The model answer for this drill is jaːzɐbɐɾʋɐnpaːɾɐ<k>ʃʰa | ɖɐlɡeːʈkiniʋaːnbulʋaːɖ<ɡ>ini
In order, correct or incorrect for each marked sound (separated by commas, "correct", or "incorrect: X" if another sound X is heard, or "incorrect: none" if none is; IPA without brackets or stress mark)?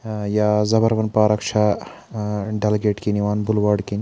correct, incorrect: k